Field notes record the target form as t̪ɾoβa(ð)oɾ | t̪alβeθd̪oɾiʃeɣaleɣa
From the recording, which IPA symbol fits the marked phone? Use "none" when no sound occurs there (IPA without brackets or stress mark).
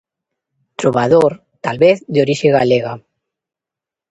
ð